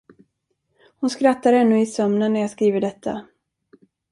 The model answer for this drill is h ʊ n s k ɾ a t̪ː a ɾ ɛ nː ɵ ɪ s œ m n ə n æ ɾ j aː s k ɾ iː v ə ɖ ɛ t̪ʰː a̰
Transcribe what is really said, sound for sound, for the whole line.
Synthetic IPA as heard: h ʊ n s k ɾ a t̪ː a ɾ ɛ nː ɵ ɪ s œ m n ə nː æ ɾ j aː s k ɾ iː v ə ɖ ɛ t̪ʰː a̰